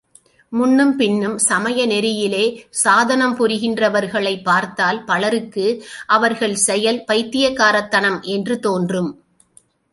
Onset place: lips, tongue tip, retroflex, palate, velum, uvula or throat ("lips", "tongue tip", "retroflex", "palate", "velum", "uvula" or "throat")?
lips